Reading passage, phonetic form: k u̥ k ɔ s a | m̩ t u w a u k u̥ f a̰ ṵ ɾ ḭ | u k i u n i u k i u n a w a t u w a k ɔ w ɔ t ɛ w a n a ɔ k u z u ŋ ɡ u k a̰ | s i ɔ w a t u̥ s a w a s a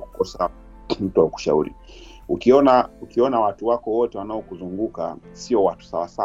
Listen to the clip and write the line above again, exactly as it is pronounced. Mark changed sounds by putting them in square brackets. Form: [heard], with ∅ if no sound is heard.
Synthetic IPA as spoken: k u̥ k ɔ s a | m̩ t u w a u k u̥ [ʃ] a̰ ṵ ɾ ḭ | u k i [ɔ] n [a] u k i [ɔ] n a w a t u w a k ɔ w ɔ t ɛ w a n a ɔ k u z u ŋ ɡ u k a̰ | s i ɔ w a t u̥ s a w a s a